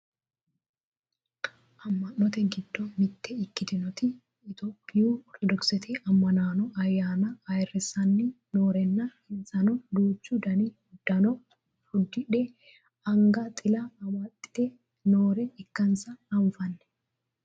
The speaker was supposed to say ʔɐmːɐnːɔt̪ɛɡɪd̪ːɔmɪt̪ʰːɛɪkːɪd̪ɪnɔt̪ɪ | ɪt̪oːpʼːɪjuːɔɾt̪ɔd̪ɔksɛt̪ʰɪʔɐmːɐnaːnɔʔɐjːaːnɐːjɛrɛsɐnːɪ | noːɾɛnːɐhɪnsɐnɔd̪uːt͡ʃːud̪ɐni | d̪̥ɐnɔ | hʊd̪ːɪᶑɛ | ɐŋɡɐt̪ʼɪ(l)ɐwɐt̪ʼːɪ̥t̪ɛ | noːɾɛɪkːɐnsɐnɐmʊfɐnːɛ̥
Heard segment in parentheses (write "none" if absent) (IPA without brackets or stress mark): l